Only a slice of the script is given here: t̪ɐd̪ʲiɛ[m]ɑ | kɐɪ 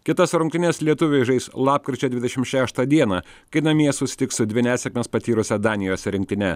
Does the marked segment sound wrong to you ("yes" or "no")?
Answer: yes